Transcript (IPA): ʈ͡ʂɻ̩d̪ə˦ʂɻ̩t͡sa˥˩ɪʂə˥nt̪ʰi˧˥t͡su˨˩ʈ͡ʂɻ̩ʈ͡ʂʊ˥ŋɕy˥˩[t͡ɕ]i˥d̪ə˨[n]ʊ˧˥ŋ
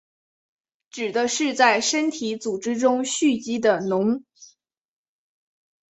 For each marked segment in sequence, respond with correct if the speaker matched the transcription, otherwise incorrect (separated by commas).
correct, correct